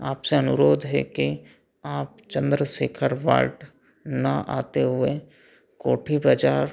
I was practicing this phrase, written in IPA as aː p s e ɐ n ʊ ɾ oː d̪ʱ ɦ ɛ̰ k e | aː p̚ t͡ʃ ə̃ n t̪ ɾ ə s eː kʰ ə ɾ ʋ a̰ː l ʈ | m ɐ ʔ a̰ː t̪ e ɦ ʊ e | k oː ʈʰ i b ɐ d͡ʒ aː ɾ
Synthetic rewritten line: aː p s e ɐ n ʊ ɾ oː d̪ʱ ɦ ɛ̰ k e | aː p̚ t͡ʃ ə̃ n d̪ ɾ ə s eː kʰ ə ɾ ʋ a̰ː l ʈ | n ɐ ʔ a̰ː t̪ e ɦ ʊ e | k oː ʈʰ i b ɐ d͡ʒ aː ɾ